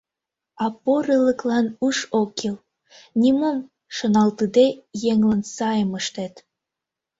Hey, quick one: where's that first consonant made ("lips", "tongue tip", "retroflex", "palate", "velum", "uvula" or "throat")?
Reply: lips